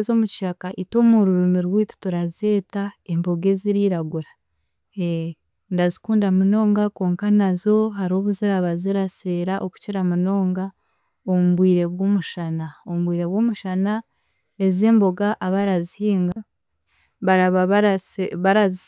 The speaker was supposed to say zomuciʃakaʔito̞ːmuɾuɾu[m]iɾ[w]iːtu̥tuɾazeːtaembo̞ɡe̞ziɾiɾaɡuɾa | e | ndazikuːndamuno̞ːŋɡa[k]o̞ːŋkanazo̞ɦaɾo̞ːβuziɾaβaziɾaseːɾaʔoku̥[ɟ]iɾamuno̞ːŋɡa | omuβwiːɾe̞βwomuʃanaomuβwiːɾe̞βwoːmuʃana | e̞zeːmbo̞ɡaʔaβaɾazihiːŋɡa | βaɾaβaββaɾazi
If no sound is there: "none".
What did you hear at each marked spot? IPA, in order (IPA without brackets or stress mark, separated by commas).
m, w, k, c